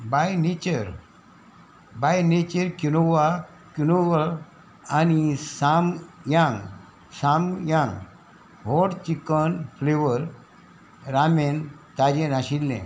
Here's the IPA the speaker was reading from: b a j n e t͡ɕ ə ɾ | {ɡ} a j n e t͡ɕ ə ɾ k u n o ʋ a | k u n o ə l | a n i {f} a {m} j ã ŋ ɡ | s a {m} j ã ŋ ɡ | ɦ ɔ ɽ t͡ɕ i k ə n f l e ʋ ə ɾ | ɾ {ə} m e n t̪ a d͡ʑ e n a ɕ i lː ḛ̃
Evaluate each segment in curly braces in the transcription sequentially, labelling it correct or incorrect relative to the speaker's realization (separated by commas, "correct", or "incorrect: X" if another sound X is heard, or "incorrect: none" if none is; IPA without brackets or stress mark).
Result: incorrect: b, incorrect: s, correct, correct, incorrect: a